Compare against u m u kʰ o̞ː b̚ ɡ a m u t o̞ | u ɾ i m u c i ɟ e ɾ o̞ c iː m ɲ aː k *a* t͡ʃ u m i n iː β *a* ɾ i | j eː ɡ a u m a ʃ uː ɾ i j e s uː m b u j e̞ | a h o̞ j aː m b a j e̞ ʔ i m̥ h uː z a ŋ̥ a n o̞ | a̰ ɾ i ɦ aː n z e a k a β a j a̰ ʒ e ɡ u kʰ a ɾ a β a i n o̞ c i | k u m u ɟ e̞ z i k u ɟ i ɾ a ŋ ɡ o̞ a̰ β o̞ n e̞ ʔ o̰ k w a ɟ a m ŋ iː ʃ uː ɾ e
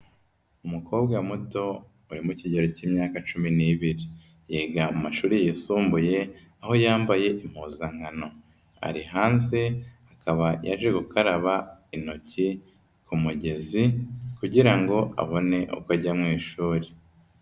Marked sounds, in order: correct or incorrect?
correct, incorrect

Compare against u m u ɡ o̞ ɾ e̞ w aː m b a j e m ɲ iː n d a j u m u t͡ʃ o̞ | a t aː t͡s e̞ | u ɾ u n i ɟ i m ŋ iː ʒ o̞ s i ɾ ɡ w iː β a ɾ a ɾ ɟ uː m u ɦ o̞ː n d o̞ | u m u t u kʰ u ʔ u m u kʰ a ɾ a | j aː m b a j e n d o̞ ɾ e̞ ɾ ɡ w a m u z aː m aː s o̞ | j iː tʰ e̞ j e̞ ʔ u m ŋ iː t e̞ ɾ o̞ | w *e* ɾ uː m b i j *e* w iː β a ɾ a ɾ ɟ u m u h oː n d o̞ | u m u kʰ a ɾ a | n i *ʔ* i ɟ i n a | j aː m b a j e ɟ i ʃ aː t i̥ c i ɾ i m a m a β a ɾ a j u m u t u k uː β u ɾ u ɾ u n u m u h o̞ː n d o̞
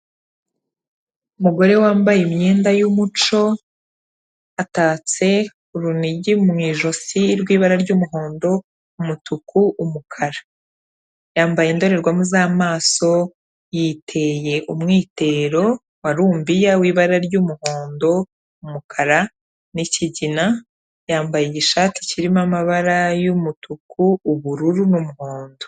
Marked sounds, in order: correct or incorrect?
incorrect, incorrect, incorrect

